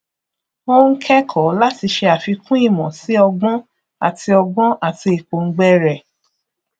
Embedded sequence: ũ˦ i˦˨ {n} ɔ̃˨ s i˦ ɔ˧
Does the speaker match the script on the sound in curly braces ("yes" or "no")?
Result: no